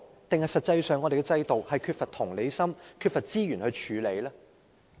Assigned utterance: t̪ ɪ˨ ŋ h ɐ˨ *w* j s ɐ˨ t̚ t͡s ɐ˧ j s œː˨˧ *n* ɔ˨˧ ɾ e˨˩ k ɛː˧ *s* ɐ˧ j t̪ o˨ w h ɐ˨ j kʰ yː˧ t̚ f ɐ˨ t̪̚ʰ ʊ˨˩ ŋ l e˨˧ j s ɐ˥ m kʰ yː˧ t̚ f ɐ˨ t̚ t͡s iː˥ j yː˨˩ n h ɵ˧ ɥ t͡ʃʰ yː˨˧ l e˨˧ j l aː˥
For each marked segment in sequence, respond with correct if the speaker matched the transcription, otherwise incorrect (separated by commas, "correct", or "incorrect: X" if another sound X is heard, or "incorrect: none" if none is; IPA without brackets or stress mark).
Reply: incorrect: none, incorrect: ŋ, incorrect: t͡s